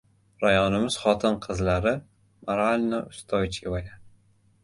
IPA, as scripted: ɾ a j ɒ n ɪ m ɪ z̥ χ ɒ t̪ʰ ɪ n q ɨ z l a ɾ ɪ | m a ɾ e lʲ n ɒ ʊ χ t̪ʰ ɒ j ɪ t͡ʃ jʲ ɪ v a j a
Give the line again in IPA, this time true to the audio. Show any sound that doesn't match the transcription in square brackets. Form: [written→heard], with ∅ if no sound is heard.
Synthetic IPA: ɾ a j ɒ n ɪ m ɪ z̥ χ ɒ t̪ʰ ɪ n [q→qʰ] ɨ z l a ɾ ɪ | m a ɾ [e→a] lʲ n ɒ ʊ [χ→s] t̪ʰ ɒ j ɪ t͡ʃ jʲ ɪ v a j a